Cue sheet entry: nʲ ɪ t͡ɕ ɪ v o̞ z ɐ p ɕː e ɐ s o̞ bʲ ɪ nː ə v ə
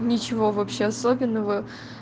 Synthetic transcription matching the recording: nʲ ɪ t͡ɕ ɪ v o̞ v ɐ p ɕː e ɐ s o̞ bʲ ɪ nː ə v ə